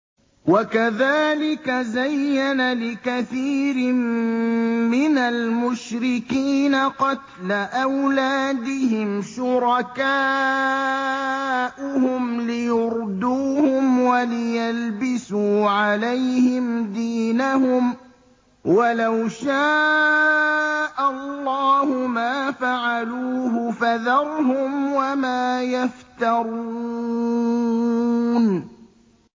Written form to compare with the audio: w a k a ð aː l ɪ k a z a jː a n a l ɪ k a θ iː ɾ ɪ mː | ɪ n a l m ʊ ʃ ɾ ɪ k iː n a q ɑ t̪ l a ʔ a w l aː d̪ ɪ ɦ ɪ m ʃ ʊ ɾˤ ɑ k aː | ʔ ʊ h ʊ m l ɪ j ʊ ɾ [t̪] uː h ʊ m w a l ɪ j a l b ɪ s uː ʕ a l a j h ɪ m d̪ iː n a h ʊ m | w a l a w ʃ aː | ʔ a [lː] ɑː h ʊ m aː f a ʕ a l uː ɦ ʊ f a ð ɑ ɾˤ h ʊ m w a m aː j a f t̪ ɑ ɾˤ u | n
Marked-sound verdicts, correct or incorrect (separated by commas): incorrect, correct